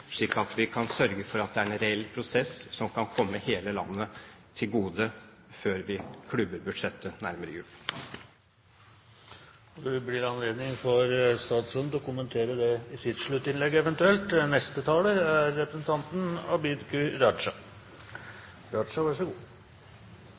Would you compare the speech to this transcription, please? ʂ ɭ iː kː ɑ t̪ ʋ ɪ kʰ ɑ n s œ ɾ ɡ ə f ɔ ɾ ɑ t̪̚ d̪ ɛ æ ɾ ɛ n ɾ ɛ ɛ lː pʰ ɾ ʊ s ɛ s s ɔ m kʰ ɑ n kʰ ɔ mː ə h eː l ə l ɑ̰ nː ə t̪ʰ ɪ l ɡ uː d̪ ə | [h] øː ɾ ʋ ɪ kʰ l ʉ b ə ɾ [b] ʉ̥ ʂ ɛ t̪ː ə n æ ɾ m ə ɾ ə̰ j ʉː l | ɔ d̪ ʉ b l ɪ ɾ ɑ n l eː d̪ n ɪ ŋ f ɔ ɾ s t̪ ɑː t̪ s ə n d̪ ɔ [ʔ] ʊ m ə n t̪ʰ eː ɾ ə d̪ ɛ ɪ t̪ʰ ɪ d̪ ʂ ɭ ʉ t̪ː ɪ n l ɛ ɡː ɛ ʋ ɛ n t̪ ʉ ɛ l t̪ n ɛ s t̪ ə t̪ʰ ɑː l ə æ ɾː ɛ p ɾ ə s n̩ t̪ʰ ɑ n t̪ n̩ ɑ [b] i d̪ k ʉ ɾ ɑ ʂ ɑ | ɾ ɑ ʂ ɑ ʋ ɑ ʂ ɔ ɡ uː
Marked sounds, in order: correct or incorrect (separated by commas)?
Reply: incorrect, correct, incorrect, correct